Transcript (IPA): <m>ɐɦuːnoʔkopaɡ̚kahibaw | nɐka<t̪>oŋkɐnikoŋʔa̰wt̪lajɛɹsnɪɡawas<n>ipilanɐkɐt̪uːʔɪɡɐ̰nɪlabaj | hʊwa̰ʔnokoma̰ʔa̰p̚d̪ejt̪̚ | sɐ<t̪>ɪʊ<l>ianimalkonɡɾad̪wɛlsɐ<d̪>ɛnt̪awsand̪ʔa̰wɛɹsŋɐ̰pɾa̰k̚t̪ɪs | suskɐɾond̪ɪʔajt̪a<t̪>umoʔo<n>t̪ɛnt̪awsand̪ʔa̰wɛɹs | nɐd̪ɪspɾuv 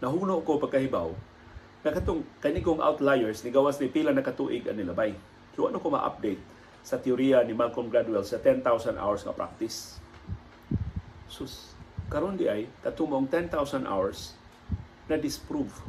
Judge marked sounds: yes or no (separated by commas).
no, yes, yes, yes, no, no, yes, no